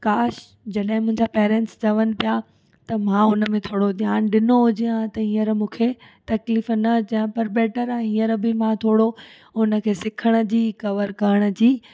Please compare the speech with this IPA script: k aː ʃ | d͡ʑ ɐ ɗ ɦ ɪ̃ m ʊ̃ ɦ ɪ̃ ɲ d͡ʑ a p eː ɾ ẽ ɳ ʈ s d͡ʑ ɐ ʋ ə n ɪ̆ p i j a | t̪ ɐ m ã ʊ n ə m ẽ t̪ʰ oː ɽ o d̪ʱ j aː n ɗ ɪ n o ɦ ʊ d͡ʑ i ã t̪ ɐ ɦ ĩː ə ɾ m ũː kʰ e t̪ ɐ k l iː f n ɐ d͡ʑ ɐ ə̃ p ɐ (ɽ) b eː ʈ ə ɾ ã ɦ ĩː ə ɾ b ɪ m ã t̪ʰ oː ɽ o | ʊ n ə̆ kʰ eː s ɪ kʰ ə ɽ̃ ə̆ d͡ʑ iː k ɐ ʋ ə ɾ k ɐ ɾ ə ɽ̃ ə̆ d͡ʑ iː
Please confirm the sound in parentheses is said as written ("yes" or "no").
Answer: no